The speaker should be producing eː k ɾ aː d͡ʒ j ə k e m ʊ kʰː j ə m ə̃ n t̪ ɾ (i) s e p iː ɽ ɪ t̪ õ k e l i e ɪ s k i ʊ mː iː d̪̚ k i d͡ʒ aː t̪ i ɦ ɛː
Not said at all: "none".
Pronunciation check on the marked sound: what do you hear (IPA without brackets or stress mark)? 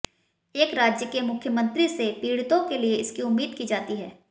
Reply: i